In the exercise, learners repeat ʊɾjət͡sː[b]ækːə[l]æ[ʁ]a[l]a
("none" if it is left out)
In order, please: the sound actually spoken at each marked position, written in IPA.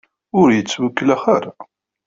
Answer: w, l, χ, ɾ

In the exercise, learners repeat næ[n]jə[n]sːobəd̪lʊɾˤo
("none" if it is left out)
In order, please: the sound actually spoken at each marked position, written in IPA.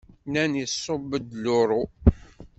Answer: n, none

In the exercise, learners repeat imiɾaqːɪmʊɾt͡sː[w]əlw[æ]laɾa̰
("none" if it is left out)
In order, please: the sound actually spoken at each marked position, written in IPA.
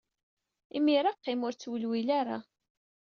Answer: w, i

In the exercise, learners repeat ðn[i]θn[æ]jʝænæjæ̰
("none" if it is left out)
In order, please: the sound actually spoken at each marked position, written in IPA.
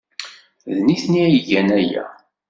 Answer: i, i

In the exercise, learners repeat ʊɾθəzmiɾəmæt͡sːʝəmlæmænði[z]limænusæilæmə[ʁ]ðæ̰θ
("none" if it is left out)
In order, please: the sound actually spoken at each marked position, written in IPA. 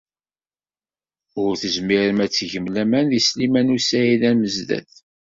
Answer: s, z

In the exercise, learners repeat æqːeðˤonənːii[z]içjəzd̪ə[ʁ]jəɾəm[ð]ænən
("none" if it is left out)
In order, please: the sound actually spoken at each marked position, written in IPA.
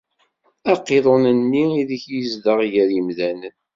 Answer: ð, ʁ, ð

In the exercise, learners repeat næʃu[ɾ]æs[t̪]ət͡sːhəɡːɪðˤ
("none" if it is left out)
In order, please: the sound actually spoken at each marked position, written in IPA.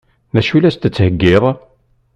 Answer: l, t̪

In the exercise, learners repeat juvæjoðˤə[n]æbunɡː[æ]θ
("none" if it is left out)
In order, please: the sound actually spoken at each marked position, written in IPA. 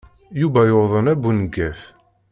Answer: n, æ

